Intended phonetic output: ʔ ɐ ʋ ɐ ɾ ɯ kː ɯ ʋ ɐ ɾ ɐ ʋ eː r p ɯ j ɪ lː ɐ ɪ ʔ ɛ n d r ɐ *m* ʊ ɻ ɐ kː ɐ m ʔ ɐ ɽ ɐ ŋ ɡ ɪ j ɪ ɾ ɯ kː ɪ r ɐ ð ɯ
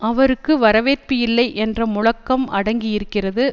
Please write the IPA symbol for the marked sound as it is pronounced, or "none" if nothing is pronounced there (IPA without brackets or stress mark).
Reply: m